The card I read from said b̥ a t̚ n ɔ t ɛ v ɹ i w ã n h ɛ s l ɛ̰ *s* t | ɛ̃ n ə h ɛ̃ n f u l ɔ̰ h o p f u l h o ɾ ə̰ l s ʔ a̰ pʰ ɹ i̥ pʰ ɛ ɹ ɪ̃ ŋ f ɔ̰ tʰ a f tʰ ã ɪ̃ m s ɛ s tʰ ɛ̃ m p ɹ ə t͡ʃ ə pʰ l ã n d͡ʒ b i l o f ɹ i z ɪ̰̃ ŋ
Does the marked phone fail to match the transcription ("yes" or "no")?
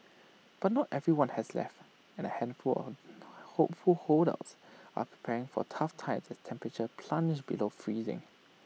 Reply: yes